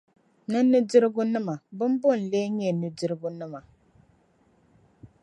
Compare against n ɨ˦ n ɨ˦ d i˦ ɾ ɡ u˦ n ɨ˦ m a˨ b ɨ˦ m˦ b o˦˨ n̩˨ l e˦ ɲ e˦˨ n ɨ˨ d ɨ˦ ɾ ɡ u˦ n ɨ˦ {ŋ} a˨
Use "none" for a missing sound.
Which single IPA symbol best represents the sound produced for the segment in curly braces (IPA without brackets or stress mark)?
m